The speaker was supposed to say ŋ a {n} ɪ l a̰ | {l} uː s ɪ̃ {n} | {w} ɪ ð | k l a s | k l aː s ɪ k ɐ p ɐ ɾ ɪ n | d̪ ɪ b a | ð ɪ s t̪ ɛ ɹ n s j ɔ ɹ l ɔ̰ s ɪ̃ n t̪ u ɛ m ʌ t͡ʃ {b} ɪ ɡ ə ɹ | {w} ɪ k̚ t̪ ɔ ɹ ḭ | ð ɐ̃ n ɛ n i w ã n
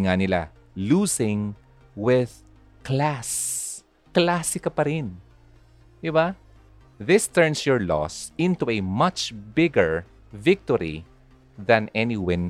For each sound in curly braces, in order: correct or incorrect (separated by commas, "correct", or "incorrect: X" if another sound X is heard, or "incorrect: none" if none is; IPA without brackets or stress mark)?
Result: correct, correct, incorrect: ŋ, correct, correct, incorrect: v